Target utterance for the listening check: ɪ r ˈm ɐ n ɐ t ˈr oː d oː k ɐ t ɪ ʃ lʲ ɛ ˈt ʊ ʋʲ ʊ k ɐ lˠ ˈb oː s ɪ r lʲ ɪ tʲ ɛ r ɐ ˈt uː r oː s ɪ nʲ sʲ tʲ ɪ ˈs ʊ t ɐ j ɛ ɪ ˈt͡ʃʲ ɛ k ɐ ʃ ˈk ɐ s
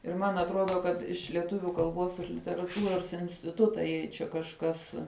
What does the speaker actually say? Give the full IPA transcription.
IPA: ɪ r ˈm ɐ n ɐ t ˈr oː d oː k ɐ t ɪ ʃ lʲ ɛ ˈt ʊ ʋʲ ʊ k ɐ lˠ ˈb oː s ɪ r lʲ ɪ tʲ ɛ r ɐ ˈt uː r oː s ɪ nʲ sʲ tʲ ɪ ˈt ʊ t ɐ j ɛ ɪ ˈt͡ʃʲ ɛ k ɐ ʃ ˈk ɐ s